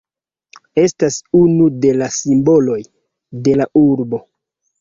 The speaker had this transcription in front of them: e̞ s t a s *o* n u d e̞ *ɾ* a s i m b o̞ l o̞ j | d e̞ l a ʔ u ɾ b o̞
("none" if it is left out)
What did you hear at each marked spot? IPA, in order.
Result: u, l

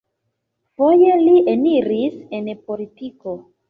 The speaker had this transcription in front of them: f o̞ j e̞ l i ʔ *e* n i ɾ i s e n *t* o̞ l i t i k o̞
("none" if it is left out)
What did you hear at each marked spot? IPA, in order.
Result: e, p

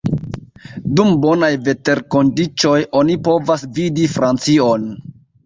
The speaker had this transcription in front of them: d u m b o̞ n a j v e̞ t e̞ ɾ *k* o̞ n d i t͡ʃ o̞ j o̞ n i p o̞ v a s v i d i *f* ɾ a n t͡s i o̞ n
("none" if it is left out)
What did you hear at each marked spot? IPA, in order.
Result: k, f

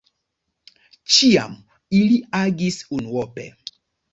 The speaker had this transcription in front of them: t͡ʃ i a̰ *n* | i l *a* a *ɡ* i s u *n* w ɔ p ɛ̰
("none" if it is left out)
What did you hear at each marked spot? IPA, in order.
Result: m, i, ɡ, n

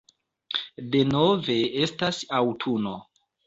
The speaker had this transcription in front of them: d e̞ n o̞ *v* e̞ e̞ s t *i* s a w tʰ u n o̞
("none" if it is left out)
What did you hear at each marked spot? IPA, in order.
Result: v, a

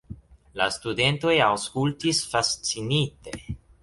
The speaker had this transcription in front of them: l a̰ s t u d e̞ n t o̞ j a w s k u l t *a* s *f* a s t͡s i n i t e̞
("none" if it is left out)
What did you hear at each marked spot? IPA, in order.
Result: i, f

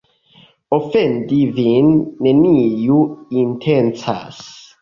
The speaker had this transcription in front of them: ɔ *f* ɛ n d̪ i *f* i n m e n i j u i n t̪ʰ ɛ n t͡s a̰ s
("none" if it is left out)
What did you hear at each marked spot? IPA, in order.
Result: f, v

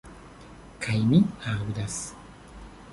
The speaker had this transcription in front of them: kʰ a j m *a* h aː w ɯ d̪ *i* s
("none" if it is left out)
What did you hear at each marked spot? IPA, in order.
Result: i, a

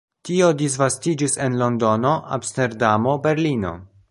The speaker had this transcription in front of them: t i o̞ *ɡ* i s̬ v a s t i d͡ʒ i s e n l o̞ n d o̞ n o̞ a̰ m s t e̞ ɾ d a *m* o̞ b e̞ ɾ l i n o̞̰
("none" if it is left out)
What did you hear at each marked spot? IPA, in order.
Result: d, m

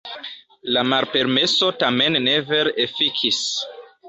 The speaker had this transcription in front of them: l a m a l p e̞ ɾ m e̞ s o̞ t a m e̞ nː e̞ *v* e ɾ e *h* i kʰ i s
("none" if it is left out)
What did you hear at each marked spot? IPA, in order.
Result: v, f

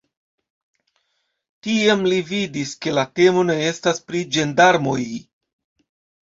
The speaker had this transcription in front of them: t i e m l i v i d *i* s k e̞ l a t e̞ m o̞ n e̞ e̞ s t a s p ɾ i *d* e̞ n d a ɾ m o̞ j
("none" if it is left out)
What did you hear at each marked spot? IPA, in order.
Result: i, d͡ʒ

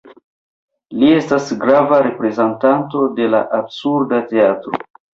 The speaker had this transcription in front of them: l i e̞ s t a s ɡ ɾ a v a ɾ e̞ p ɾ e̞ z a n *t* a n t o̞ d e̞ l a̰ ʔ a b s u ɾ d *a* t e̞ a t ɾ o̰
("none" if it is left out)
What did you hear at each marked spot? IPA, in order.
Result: t, a

